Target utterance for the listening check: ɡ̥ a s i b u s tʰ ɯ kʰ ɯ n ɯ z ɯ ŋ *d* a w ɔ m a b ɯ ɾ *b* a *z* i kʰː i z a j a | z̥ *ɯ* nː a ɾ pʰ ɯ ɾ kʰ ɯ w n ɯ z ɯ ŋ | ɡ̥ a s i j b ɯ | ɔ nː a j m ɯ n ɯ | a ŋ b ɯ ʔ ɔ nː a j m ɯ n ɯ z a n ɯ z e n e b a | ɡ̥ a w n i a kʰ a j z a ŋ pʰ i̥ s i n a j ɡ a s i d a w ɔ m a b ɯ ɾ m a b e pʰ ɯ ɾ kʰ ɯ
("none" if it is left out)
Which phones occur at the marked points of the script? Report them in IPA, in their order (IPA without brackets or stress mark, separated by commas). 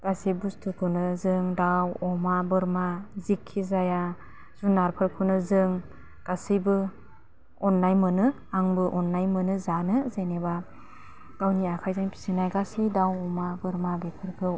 d, m, z, u